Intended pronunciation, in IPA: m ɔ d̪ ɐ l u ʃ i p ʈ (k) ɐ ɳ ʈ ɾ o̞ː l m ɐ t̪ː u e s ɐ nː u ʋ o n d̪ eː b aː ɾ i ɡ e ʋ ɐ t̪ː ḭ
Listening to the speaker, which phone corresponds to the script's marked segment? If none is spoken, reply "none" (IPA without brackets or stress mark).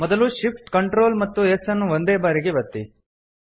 k